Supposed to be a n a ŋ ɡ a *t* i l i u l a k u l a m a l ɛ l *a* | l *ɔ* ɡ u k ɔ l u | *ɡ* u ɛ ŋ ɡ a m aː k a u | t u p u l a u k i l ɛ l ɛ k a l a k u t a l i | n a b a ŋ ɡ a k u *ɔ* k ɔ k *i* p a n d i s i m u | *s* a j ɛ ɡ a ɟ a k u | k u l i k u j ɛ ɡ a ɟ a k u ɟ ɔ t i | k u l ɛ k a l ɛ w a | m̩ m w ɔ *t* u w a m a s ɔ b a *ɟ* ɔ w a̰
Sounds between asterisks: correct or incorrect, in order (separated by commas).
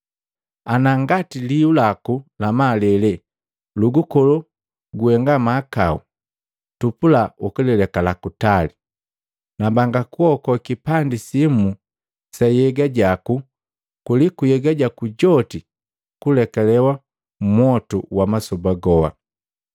correct, incorrect, incorrect, correct, correct, correct, correct, correct, incorrect